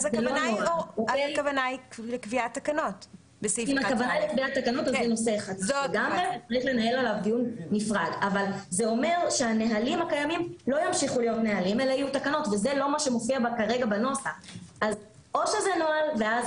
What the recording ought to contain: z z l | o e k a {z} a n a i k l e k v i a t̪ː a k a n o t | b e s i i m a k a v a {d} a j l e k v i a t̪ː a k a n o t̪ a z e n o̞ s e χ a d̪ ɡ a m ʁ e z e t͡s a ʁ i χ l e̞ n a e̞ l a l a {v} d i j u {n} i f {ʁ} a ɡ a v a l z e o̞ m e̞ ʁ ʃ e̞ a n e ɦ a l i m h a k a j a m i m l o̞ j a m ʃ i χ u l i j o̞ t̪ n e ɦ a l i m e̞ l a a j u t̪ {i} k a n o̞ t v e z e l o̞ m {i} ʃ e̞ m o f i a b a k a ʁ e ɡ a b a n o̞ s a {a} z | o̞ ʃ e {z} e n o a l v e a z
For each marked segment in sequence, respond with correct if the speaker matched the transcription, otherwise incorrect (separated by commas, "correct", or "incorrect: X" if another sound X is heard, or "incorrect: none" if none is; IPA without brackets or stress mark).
incorrect: v, incorrect: n, correct, incorrect: nː, correct, incorrect: a, incorrect: a, correct, correct